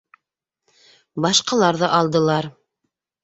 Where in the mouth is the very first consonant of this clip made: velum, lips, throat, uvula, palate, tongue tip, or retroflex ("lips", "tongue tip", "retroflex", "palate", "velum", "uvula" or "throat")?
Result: lips